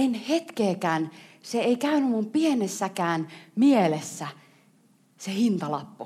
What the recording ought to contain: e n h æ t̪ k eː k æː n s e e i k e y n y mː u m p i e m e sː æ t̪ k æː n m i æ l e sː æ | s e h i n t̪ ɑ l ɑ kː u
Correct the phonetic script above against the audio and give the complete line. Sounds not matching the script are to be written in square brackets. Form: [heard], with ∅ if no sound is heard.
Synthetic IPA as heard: e n h [e] t̪ k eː k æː n s e e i k [æ] y n y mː u m p i e [n] e sː æ [∅] k æː n m i [e] l e sː æ | s e h i n t̪ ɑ l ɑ [pː] u